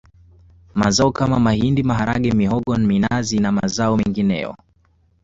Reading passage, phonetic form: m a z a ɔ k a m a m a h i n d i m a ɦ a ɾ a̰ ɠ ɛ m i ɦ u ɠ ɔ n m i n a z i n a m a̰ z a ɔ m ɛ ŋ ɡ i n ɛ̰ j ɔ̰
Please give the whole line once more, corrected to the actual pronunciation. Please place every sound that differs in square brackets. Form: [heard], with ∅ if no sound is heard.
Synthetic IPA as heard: m a z a ɔ k a m a m a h i n d i m a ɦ a ɾ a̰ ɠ ɛ m i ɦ [ɔ] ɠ ɔ n m i n a z i n a m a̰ z a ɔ m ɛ ŋ ɡ i n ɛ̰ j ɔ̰